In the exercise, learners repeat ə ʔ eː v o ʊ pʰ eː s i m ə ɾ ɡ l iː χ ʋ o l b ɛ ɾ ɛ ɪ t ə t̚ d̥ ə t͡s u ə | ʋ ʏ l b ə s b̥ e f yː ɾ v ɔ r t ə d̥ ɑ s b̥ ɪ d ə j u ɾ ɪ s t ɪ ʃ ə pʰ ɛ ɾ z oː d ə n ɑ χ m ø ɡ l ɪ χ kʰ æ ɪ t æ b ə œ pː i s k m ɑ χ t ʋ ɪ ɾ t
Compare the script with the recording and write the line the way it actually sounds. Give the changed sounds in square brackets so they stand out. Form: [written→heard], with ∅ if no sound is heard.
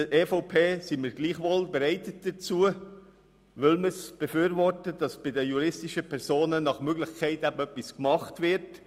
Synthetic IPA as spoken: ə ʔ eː [v→f] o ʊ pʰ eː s i m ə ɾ ɡ l iː χ ʋ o l b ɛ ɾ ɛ ɪ t ə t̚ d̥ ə t͡s u ə | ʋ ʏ l [b→m] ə s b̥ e f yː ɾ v ɔ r t ə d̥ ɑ s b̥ ɪ d ə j u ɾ ɪ s t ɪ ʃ ə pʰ ɛ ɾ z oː [d→n] ə n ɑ χ m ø ɡ l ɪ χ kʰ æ ɪ t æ b ə œ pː i s k m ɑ χ t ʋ ɪ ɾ t

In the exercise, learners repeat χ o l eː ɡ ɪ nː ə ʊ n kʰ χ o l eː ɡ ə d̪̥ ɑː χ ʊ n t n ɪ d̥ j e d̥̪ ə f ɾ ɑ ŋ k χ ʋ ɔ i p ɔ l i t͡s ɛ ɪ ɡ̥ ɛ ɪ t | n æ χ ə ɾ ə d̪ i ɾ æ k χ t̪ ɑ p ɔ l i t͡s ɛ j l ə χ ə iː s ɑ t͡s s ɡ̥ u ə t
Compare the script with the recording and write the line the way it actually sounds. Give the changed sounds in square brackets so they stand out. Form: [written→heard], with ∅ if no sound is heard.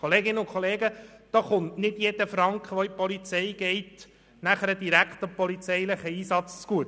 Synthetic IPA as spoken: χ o l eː ɡ ɪ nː ə ʊ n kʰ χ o l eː ɡ ə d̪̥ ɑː χ ʊ n t n ɪ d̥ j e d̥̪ ə f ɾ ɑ ŋ k χ ʋ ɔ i p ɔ l i t͡s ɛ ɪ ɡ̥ ɛ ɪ t | n æ χ ə ɾ ə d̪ i ɾ æ k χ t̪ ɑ p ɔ l i t͡s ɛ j l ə χ ə iː s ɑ t͡s [s→t͡s] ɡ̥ u ə t

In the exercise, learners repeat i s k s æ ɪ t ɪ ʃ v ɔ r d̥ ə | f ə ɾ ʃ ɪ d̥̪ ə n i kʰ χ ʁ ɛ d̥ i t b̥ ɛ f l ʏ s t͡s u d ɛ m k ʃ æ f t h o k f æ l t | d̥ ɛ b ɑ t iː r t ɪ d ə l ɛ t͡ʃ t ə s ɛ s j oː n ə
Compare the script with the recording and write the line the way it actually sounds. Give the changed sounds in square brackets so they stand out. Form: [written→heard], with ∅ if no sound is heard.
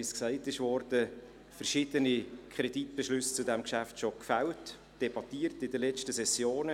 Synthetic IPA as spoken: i s k s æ ɪ t ɪ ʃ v ɔ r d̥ ə | f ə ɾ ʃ ɪ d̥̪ ə n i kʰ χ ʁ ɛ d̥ i t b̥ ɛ [f→ʃ] l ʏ s t͡s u d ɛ m k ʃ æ f t [h→ʃ] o k f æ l t | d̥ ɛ b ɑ t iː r t ɪ d ə l ɛ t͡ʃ t ə s ɛ s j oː n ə

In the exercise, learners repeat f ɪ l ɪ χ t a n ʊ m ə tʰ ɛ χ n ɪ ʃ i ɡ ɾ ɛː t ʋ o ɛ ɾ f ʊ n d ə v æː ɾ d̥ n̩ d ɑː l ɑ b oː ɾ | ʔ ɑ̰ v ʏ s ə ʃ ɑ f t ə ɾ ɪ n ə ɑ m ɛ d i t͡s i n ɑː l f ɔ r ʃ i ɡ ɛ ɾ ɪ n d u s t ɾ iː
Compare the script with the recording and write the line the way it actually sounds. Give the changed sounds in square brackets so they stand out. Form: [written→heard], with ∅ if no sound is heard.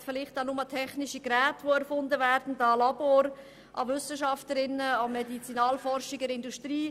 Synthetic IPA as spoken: f ɪ l ɪ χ t a n ʊ m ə tʰ ɛ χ n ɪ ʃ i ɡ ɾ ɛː t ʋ o ɛ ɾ f ʊ n d ə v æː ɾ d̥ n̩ d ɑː l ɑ b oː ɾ | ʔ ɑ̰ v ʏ s ə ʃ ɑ f t ə ɾ ɪ n ə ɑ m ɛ d i t͡s i n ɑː l f ɔ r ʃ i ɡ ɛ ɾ ɪ n d u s t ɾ iː

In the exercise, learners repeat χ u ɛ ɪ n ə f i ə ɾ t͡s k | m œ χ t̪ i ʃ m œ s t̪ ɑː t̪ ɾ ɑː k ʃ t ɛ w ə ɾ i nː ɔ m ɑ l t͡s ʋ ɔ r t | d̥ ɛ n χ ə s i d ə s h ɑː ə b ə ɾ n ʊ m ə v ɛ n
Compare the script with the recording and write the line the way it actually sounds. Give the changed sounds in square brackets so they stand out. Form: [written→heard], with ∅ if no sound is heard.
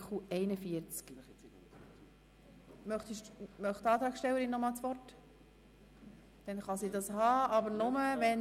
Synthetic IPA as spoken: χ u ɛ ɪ n ə f i ə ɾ t͡s k | m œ χ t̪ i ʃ m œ [s→χ] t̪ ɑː t̪ ɾ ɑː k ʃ t ɛ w ə ɾ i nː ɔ m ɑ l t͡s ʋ ɔ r t | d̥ ɛ n χ [ə→ɑ] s i d [ə→ɑ] s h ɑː [ə→ɑ] b ə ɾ n ʊ m ə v ɛ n

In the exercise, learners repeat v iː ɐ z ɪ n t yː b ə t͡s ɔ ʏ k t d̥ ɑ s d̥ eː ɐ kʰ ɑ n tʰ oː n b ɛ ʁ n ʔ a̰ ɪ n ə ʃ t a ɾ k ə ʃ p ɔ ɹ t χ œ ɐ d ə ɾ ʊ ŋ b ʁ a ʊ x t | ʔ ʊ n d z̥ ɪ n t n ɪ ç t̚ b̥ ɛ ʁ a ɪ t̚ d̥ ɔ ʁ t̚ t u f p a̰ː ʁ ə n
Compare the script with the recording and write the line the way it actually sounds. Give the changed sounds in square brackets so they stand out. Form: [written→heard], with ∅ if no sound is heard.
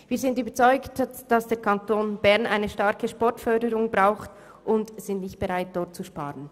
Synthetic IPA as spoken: v iː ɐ z ɪ n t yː b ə t͡s ɔ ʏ k t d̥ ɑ s d̥ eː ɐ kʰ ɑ n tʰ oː n b ɛ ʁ n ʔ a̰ ɪ n ə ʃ t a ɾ k ə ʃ p ɔ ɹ t [χ→f] œ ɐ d ə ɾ ʊ ŋ b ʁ a ʊ x t | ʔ ʊ n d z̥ ɪ n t n ɪ ç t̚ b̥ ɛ ʁ a ɪ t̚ d̥ ɔ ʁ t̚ [t→t͡s] u [f→ʃ] p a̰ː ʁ ə n

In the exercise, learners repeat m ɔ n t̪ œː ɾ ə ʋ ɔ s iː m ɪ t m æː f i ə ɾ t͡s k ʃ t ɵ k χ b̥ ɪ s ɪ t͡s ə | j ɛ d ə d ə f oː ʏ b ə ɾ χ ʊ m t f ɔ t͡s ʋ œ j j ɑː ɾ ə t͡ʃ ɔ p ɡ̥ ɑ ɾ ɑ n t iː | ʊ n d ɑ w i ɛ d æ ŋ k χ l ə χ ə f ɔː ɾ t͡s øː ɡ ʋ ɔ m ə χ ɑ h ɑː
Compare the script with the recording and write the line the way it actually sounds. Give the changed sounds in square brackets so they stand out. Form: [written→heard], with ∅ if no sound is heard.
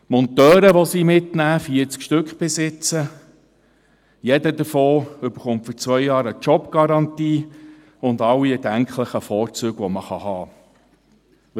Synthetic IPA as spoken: m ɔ n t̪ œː ɾ ə ʋ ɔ s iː m ɪ t [m→n] æː f i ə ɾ t͡s k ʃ t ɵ k χ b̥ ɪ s ɪ t͡s ə | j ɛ d ə d ə f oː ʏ b ə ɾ χ ʊ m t f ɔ t͡s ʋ œ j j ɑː ɾ ə t͡ʃ ɔ p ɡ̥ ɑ ɾ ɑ n t iː | ʊ n d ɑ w i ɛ d æ ŋ k χ l ə χ ə f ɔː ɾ t͡s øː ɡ ʋ ɔ m ə χ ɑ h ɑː

